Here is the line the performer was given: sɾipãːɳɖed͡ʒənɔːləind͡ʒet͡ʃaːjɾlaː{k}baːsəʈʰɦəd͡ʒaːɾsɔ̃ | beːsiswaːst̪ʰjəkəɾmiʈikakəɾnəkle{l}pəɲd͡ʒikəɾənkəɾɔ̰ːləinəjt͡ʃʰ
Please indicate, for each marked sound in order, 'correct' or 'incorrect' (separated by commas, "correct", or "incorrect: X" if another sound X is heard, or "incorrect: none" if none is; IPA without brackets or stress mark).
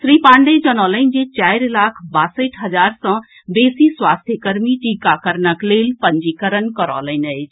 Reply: incorrect: kʰ, correct